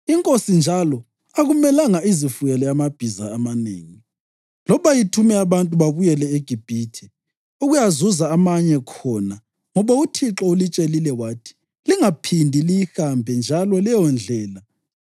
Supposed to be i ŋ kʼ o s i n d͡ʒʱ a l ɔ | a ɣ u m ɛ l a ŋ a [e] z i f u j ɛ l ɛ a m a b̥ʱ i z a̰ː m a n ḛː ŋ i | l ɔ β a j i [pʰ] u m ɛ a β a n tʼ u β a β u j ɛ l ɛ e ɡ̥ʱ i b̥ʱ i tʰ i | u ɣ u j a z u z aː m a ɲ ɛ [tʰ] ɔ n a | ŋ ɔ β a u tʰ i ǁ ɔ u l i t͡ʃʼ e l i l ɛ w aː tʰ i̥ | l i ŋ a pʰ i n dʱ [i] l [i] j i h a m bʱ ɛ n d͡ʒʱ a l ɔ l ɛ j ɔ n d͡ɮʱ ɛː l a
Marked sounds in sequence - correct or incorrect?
incorrect: i, incorrect: tʰ, incorrect: kʰ, correct, correct

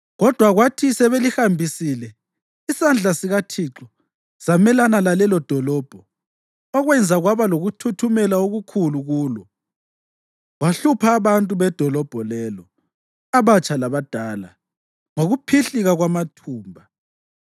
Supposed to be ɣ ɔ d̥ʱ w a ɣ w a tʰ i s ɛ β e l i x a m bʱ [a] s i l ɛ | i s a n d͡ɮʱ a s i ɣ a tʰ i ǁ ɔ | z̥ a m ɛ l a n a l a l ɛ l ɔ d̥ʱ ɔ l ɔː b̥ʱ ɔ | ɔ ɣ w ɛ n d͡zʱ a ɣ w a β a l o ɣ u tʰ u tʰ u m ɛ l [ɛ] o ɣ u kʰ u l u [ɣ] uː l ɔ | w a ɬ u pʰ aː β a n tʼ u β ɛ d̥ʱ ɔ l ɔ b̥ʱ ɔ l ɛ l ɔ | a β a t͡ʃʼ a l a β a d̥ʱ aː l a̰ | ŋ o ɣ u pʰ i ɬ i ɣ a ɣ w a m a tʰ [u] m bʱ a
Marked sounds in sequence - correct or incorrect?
incorrect: i, incorrect: a, correct, incorrect: uː

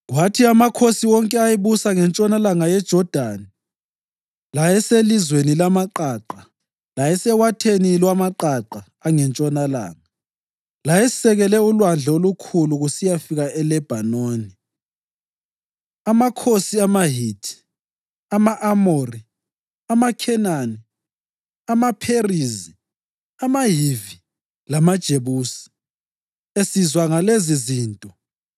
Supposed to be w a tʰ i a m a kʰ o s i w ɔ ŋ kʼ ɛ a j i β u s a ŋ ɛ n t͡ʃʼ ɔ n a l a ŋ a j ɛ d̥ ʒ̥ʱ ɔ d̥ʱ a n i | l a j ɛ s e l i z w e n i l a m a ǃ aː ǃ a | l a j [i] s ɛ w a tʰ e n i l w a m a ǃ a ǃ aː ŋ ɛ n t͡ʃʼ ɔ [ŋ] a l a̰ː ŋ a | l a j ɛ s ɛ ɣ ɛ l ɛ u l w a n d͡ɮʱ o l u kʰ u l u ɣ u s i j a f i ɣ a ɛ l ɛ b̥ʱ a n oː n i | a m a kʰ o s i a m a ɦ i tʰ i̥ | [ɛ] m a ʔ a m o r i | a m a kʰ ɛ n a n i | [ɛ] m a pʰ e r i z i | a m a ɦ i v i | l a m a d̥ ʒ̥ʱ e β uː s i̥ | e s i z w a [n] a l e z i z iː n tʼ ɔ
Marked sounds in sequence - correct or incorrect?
incorrect: ɛ, incorrect: n, incorrect: a, incorrect: a, incorrect: ŋ

